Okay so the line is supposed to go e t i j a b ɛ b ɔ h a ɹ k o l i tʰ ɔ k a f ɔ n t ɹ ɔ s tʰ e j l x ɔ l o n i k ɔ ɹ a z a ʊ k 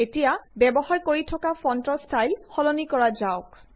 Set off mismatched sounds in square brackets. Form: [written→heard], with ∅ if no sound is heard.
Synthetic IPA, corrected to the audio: e t i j a b ɛ b ɔ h a ɹ k o [l→ɹ] i tʰ ɔ k a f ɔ n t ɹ ɔ s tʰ [e→a] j l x ɔ l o n i k ɔ ɹ a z a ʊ k